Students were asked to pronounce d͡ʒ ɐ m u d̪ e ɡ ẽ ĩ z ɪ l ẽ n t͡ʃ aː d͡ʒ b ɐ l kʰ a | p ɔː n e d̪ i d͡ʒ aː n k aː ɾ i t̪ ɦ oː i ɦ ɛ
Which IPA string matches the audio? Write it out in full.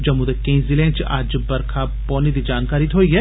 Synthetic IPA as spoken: d͡ʒ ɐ m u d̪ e k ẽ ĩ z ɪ l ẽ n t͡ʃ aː d͡ʒ b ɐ ɾ kʰ a | p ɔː n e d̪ i d͡ʒ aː n k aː ɾ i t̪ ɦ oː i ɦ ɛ